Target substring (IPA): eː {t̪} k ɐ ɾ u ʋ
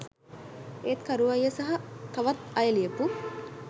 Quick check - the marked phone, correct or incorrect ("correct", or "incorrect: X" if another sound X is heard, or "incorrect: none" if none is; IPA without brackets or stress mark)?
correct